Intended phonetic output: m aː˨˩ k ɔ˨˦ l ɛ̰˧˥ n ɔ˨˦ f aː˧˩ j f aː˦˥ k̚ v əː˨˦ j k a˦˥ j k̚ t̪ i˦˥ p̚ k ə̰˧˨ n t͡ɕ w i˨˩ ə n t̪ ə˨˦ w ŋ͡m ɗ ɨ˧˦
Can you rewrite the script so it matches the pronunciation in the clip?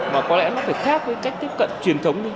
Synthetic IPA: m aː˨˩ k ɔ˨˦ l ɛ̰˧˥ n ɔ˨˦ f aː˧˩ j x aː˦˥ k̚ v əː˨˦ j k a˦˥ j k̚ t̪ i˦˥ p̚ k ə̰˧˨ n t͡ɕ w i˨˩ ə n t̪ʰ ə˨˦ w ŋ͡m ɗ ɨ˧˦